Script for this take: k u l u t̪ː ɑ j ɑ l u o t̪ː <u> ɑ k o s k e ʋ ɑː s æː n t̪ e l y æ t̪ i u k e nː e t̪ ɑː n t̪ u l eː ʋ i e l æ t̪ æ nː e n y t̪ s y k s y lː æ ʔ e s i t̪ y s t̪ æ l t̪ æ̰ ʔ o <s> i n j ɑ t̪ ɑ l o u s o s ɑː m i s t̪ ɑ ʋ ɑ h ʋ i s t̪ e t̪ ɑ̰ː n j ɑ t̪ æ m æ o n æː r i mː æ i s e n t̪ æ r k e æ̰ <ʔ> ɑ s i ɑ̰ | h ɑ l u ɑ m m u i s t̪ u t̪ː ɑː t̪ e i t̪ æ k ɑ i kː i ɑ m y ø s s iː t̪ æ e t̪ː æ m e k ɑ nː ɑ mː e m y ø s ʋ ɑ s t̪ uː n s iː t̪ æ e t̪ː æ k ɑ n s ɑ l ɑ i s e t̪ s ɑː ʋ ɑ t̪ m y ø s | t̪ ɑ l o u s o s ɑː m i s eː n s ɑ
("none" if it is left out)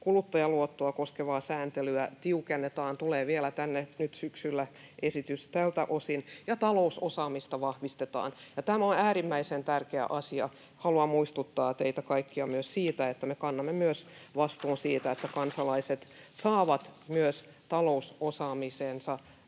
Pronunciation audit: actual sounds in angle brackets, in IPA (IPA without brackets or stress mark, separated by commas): o, s, ʔ